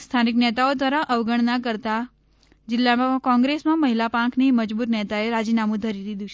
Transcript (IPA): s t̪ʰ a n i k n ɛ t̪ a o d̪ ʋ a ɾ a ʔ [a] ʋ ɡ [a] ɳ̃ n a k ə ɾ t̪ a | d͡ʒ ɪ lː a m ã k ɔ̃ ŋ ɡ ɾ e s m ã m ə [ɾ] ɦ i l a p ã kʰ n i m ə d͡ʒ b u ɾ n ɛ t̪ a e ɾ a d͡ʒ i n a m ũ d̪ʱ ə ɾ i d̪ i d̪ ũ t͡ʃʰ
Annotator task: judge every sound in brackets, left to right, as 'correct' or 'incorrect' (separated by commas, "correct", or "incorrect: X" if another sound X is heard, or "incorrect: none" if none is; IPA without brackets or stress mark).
incorrect: ə, incorrect: ə, incorrect: none